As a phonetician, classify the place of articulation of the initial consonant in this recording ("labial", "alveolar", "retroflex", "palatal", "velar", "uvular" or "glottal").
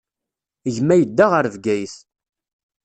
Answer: palatal